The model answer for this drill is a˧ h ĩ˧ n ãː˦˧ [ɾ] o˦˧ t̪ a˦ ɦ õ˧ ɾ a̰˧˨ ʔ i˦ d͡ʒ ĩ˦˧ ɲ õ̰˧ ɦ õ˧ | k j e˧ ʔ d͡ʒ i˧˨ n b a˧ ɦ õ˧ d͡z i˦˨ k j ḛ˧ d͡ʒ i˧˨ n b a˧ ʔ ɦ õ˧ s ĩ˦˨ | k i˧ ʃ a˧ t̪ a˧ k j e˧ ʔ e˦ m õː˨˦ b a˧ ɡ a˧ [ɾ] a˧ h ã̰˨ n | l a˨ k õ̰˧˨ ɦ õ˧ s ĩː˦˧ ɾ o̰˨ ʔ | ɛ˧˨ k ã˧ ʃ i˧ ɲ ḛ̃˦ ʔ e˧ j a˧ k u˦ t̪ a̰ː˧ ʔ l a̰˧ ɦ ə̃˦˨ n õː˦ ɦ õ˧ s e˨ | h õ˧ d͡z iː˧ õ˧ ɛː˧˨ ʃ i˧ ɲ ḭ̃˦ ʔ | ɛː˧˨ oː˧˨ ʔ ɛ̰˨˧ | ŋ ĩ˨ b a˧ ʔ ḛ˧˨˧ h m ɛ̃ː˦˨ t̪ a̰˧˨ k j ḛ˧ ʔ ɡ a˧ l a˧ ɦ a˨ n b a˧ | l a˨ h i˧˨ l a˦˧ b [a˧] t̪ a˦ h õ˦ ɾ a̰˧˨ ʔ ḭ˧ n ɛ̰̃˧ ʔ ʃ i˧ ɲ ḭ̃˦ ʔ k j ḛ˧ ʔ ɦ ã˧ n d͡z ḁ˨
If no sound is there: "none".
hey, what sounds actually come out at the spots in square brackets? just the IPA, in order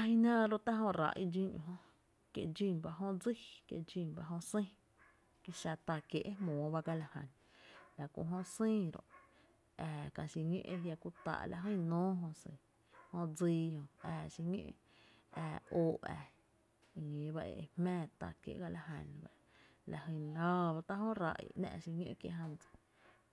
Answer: ɾ, l, a˧

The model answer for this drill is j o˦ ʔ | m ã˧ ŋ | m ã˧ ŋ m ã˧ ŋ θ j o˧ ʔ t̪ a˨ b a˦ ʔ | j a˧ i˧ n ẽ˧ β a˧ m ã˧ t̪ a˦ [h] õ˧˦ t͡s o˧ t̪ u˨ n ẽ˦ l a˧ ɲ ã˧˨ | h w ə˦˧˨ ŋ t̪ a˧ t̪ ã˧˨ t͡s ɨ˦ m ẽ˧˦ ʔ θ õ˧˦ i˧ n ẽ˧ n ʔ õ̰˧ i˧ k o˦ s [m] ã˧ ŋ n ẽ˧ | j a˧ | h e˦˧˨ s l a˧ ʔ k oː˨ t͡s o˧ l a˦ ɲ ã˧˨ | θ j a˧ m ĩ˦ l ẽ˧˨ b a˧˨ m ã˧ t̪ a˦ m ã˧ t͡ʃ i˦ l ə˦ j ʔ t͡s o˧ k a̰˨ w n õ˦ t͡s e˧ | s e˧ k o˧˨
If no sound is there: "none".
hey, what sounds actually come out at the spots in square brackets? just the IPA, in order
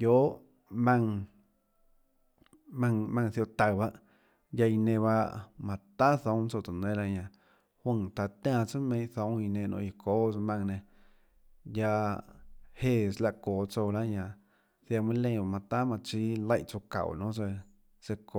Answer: θ, m

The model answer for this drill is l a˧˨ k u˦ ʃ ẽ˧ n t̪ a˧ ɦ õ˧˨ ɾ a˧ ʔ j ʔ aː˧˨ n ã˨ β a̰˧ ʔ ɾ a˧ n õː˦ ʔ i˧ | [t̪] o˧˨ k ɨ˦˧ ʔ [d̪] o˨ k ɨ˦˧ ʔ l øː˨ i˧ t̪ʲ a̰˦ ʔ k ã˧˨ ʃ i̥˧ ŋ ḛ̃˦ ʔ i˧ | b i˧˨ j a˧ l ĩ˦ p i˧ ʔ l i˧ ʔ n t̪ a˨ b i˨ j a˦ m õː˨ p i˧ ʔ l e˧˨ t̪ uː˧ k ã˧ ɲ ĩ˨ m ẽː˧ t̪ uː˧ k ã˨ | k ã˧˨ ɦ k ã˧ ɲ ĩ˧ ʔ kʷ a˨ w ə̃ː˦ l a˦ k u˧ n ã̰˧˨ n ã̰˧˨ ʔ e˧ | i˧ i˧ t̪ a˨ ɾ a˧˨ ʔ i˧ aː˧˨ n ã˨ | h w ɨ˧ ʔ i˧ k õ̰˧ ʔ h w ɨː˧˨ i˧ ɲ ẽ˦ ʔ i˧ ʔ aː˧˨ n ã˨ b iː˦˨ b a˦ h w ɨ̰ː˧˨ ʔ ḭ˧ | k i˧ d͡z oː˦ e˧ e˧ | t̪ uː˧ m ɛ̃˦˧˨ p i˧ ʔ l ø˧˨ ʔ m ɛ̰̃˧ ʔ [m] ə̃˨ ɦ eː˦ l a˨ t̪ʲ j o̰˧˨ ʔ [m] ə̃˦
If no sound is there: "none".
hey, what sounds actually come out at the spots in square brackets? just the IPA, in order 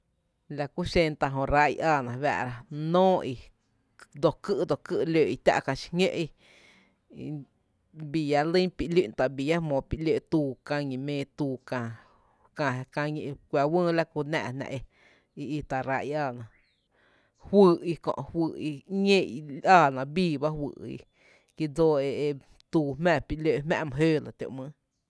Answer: d̪, d̪, m, m

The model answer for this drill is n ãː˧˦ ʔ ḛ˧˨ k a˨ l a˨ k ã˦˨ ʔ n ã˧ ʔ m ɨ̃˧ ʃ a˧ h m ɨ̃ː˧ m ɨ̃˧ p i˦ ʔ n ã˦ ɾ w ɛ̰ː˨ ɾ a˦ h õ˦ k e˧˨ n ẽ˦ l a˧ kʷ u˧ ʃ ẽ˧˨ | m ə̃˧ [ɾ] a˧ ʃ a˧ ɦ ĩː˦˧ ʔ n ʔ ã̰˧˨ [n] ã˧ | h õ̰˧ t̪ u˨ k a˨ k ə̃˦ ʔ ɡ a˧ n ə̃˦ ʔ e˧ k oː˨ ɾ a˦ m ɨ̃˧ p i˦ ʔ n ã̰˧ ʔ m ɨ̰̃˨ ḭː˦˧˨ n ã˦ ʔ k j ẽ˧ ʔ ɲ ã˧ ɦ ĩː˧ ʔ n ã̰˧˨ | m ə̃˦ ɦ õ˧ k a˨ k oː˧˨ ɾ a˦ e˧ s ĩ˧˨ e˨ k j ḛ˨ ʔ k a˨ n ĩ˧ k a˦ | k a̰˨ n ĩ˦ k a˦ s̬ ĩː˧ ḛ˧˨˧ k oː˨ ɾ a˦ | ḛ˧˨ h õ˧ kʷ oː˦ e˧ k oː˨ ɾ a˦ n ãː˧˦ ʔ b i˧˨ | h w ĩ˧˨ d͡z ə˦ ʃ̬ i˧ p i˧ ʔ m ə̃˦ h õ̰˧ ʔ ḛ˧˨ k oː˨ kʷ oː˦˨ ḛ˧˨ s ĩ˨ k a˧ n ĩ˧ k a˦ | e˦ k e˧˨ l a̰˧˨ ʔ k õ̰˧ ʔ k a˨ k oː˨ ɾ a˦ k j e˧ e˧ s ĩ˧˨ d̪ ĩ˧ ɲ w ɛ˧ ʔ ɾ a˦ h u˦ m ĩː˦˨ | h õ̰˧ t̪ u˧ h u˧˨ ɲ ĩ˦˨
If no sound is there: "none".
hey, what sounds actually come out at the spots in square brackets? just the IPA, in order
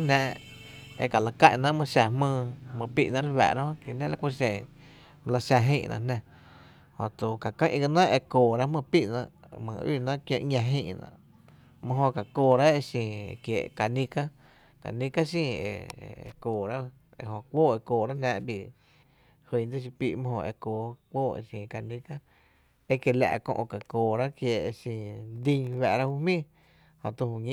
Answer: l, n

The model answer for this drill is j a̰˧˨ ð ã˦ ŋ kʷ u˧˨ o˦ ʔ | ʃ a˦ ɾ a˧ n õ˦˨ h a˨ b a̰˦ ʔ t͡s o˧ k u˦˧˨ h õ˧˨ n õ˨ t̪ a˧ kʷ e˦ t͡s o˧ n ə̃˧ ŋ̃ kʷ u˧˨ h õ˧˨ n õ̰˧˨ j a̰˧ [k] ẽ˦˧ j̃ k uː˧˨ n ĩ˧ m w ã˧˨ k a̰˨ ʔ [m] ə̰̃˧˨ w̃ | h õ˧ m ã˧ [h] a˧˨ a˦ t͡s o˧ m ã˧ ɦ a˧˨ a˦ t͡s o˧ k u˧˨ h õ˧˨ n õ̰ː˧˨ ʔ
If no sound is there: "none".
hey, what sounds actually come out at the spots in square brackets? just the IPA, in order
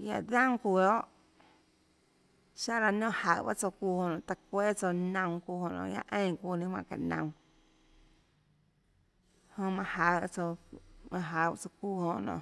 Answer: ʔ, n, h

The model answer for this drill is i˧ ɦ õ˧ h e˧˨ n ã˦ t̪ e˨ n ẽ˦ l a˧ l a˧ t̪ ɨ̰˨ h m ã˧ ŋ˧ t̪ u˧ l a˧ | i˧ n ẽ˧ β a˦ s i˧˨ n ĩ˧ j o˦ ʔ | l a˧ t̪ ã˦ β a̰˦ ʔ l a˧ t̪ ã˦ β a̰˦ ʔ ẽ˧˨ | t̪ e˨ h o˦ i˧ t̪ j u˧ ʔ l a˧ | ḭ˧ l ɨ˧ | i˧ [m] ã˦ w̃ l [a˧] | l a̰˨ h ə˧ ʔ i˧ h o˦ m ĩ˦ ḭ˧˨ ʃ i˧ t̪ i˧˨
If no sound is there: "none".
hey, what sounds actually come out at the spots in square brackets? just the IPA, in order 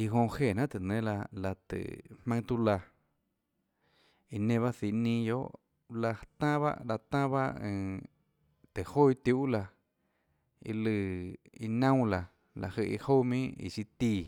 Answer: n, a˧

